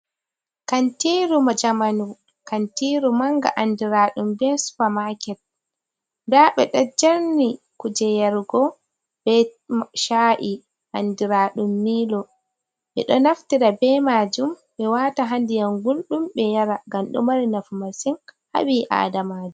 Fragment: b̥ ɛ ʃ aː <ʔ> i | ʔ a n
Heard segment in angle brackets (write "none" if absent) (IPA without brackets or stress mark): ʔ